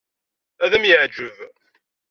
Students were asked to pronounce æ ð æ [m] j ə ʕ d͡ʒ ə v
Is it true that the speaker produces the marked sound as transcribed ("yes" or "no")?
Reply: yes